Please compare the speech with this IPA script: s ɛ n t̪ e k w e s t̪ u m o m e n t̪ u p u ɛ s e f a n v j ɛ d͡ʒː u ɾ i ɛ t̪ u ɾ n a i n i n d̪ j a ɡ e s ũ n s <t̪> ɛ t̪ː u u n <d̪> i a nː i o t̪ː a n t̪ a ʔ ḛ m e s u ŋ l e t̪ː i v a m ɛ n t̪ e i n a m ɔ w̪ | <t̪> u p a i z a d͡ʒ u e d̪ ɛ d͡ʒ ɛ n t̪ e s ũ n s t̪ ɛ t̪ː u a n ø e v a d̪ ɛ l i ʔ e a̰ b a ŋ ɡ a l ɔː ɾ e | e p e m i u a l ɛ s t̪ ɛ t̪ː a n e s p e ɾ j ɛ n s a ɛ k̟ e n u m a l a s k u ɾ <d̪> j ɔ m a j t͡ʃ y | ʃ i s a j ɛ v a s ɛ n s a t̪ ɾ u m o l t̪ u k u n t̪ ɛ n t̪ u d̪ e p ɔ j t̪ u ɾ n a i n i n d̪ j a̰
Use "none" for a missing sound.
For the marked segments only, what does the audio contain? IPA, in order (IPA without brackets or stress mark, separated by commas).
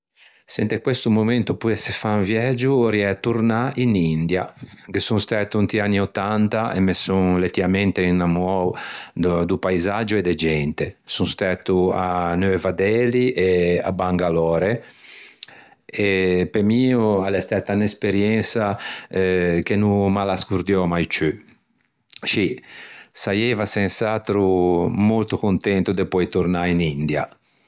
t̪, t̪, d̪, d̪